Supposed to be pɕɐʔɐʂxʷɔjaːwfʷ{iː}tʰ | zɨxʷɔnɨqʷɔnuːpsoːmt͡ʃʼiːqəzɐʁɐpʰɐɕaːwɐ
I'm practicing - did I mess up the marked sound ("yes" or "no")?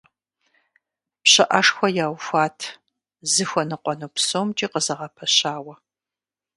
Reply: yes